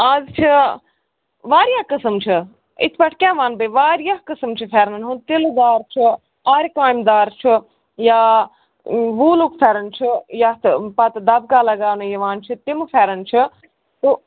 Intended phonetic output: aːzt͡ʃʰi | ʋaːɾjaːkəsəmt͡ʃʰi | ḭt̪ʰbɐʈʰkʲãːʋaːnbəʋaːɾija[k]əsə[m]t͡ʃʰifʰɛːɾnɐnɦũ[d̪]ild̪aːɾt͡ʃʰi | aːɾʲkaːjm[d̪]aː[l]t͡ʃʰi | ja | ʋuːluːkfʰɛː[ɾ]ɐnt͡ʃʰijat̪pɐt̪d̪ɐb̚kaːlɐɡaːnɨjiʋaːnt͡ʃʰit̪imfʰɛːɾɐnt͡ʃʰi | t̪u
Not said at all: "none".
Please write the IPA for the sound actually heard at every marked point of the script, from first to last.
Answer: k, m, t̪, d̪, ɾ, ɾ

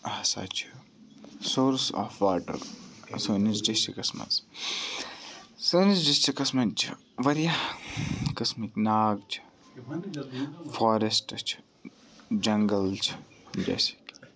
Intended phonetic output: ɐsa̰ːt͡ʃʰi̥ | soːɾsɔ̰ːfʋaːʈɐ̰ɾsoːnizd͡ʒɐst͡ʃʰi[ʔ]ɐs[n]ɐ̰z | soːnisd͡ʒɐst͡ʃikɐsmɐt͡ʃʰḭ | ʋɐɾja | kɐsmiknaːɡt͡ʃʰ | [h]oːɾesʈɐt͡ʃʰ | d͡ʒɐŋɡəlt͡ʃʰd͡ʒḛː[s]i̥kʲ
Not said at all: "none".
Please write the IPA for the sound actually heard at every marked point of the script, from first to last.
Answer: k, m, f, s

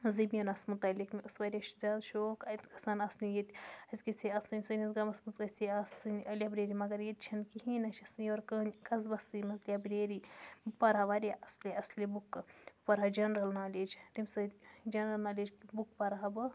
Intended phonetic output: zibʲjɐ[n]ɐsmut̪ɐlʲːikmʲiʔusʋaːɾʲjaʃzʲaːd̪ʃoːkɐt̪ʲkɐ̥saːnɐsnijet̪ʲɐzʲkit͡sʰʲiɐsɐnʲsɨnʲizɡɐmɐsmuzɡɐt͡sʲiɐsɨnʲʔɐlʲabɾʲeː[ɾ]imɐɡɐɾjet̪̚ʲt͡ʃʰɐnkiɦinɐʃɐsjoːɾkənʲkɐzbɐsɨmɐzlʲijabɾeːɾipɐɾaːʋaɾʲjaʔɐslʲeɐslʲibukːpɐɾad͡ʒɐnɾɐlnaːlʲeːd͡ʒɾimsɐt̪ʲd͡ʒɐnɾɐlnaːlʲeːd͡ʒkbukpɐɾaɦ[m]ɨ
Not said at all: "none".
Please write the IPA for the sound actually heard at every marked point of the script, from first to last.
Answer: n, ɾ, b

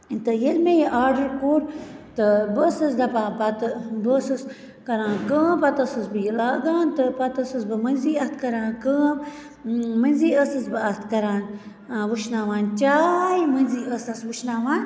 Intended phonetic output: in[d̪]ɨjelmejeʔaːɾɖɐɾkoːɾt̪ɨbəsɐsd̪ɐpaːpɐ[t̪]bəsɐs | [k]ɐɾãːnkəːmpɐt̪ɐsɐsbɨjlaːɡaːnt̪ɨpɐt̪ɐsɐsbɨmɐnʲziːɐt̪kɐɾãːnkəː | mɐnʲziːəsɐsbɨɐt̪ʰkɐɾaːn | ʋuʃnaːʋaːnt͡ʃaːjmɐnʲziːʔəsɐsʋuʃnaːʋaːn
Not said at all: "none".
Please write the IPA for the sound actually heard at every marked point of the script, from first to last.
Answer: t̪, t̪, k

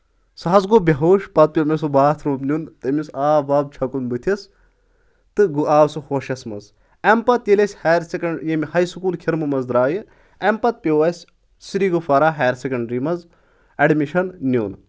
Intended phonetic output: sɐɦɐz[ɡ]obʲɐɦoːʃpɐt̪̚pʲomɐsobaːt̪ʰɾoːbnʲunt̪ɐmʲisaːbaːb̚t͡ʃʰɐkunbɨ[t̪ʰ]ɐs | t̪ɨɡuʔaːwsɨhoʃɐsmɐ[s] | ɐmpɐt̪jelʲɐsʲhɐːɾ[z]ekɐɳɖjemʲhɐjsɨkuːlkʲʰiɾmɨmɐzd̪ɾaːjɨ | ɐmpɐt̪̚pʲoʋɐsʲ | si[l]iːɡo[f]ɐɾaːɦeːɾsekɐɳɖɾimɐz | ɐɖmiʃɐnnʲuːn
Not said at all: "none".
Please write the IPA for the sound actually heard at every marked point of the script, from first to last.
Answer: ɡ, t̪ʰ, z, s, ɾ, f

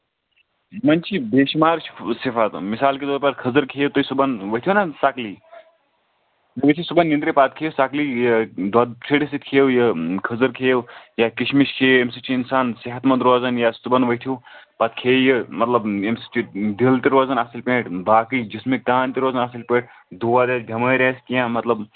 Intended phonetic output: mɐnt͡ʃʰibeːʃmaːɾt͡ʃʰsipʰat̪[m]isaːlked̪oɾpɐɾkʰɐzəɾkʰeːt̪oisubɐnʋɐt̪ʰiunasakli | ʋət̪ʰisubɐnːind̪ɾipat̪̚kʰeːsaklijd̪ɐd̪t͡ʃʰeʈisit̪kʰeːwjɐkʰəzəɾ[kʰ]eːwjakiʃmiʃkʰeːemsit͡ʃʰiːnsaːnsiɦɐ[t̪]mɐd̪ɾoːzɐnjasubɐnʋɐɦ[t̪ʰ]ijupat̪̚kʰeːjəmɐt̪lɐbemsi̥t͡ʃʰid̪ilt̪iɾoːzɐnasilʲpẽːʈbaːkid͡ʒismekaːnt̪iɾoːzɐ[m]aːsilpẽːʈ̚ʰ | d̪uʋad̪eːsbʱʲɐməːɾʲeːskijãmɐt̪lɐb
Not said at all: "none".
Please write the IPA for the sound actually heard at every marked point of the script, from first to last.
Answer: m, kʰ, t̪, t̪ʰ, n

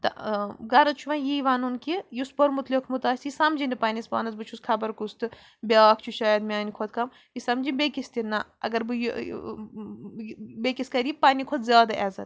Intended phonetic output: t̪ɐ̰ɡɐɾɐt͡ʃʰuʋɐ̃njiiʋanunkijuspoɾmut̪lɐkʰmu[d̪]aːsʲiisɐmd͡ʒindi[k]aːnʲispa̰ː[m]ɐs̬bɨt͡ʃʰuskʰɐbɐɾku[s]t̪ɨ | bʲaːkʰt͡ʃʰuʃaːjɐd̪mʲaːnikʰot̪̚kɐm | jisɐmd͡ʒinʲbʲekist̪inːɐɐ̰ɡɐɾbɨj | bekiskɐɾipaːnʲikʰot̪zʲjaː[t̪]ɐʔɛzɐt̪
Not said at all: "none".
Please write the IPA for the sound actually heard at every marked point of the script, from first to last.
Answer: t̪, p, n, s, d̪

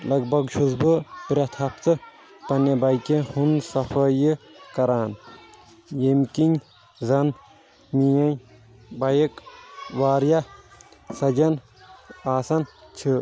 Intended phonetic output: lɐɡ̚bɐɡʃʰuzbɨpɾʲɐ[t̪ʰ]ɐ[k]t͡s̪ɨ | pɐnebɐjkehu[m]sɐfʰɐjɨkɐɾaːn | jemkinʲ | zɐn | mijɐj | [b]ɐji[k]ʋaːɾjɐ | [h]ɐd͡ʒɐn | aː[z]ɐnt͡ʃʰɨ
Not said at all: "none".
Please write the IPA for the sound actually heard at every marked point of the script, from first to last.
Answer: t̪ʰ, p, n, b, k, s, s

